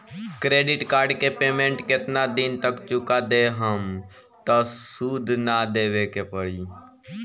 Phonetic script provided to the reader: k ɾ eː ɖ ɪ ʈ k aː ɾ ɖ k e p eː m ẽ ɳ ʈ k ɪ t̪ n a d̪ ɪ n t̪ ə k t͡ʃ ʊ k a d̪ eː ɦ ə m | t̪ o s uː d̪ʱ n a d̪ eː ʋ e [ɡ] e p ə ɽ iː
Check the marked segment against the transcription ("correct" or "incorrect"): incorrect